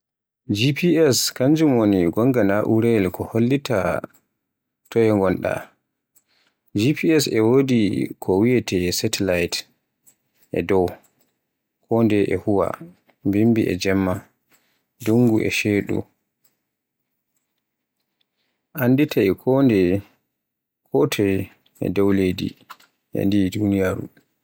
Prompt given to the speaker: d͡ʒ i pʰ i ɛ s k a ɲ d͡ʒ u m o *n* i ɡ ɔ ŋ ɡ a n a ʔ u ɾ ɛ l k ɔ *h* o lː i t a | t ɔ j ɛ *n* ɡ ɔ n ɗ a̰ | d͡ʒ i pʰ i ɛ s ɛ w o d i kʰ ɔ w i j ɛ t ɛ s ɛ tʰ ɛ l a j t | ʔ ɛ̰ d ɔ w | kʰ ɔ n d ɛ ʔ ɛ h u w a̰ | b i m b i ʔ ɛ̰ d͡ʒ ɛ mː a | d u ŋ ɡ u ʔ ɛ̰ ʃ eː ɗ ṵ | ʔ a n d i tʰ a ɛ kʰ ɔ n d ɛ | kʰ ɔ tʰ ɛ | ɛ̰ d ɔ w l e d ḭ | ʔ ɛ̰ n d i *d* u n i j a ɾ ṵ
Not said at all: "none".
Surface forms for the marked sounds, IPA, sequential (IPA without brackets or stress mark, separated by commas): n, h, ŋ, d